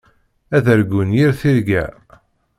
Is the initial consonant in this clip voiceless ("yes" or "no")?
no